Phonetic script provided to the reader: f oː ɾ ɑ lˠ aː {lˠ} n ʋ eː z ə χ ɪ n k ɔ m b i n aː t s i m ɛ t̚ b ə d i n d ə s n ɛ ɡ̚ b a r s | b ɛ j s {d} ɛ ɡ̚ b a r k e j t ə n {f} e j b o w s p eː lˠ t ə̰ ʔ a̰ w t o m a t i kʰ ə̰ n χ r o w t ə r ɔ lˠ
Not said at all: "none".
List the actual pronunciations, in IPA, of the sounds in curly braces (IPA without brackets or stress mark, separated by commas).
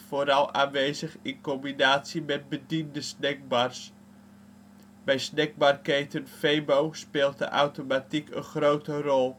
none, n, f